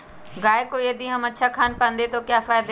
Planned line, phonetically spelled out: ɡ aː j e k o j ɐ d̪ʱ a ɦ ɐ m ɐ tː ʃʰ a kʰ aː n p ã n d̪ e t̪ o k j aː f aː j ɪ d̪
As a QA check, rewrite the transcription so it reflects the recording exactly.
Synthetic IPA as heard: ɡ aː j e k o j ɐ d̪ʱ i ɦ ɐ m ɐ tː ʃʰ a kʰ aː n p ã n d̪ e t̪ o k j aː f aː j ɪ d̪